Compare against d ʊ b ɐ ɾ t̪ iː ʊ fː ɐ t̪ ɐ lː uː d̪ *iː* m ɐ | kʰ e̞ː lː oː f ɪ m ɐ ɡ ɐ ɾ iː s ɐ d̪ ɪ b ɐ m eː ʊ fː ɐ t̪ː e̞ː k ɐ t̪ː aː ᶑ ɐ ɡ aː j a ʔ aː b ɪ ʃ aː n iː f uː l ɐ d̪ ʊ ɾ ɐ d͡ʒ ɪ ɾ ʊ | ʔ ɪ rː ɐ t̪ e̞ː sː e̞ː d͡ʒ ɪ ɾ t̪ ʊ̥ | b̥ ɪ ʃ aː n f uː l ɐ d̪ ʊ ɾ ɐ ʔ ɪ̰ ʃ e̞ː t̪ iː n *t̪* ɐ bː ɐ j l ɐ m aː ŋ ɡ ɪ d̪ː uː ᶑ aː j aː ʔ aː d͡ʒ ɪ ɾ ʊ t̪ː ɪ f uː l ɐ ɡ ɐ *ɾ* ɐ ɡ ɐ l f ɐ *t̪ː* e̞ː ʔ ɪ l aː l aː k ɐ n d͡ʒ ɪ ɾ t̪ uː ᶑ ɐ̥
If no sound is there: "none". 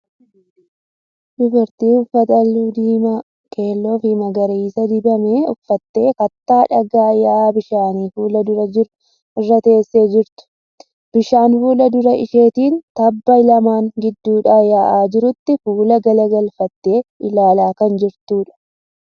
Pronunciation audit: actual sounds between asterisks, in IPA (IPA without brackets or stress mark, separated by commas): iː, t̪, l, t̪ː